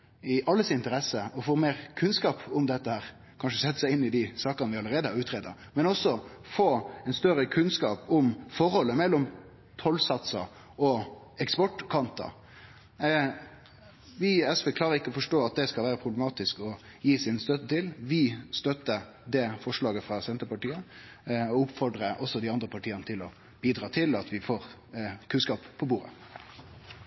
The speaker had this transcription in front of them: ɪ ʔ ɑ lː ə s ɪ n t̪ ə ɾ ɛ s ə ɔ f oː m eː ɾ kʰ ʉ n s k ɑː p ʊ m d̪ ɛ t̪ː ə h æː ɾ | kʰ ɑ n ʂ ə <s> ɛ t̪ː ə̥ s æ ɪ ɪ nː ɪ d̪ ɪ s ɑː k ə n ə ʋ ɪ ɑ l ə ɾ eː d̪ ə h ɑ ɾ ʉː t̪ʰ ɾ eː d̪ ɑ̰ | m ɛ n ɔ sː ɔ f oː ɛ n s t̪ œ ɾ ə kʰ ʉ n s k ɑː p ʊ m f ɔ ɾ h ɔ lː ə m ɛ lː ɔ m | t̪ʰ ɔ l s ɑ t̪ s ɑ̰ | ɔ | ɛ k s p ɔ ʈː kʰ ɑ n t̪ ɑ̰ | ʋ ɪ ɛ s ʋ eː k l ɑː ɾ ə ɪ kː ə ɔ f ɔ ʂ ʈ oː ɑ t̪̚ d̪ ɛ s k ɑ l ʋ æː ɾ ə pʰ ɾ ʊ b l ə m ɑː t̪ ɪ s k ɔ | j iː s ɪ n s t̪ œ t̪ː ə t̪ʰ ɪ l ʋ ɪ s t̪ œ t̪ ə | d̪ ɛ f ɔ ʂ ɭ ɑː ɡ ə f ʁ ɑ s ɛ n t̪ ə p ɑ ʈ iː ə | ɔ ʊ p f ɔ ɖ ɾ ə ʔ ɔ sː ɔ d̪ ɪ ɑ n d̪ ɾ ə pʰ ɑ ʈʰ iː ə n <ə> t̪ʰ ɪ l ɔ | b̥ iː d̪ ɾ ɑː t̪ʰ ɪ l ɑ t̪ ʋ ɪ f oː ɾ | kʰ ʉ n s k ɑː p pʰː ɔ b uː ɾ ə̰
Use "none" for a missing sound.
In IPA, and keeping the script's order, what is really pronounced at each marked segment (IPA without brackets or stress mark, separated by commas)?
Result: s, ə